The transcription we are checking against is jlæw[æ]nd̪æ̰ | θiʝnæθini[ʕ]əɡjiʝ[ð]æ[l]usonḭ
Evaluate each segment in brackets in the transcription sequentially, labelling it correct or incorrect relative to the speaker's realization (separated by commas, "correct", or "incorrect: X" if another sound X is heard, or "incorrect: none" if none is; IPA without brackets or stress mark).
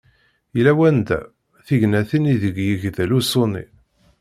correct, incorrect: ð, correct, correct